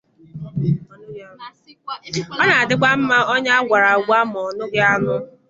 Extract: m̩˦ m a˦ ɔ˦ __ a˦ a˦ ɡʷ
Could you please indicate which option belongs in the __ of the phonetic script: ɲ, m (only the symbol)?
ɲ